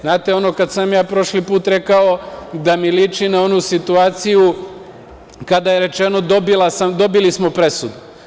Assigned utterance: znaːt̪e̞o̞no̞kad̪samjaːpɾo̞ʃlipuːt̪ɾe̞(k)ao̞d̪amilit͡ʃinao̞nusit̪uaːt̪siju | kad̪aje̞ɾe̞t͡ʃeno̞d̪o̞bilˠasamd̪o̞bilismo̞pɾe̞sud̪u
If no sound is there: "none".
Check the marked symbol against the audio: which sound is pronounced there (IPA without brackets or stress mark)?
k